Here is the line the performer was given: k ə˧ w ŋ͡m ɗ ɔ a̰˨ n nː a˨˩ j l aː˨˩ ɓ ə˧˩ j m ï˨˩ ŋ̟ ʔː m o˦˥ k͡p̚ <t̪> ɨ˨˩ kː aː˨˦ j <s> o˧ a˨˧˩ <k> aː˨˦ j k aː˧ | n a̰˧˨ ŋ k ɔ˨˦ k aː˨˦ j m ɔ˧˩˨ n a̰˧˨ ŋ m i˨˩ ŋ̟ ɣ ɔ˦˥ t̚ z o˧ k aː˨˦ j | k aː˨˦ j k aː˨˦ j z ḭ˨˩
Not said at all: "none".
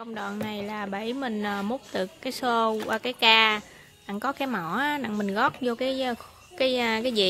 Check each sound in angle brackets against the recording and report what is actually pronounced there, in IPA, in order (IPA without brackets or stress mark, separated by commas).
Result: t̪, s, k